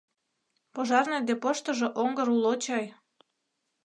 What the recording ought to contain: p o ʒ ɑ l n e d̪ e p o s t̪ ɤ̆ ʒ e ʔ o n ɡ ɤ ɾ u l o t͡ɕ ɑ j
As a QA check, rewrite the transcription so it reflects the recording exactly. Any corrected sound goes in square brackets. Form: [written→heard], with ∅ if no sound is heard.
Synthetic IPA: p o ʒ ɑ [l→r] n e d̪ e p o [s→ʃ] t̪ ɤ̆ ʒ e ʔ o [n→ŋ] ɡ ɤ ɾ u l o t͡ɕ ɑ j